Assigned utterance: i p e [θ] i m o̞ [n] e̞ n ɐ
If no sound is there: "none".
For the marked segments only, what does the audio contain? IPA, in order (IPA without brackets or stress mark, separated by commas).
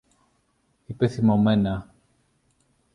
θ, m